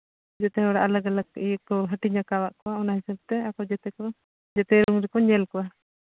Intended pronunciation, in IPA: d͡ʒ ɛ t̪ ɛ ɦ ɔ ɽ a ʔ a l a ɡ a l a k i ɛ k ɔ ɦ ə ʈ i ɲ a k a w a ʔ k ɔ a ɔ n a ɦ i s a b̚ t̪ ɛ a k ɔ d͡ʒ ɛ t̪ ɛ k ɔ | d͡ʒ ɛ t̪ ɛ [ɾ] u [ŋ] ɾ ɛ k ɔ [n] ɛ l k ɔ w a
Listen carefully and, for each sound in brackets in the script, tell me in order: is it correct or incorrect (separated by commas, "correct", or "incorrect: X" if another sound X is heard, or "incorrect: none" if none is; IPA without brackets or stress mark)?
correct, correct, incorrect: ɲ